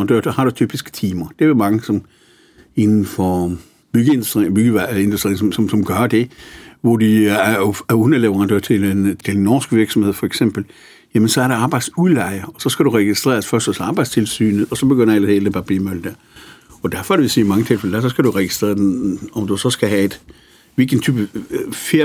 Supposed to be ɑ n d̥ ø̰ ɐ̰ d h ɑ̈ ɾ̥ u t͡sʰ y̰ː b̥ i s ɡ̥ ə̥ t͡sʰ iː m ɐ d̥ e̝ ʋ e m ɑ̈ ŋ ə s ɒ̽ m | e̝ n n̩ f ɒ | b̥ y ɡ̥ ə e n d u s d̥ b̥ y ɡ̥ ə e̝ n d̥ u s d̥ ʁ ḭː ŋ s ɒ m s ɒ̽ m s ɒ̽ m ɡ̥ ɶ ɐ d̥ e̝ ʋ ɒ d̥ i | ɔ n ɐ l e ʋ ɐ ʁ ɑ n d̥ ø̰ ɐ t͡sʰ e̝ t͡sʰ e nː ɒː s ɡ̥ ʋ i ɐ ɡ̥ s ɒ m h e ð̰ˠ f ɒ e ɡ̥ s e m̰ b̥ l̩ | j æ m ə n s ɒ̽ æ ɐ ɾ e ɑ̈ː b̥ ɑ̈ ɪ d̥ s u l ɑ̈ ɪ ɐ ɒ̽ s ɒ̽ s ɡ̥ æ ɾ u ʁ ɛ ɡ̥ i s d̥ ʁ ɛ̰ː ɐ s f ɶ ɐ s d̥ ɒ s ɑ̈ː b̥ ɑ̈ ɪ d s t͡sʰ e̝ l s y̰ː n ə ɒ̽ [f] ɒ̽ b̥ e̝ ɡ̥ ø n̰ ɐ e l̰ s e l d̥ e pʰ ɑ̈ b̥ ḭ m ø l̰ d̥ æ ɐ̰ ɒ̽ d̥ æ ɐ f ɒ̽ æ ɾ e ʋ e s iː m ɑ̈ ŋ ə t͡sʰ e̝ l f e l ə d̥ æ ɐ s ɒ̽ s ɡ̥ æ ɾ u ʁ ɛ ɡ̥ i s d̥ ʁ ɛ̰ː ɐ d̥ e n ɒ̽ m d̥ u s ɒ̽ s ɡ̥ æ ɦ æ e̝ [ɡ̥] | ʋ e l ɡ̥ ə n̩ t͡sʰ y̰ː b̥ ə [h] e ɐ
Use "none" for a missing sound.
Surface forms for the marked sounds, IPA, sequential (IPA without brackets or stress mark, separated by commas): s, d̥, f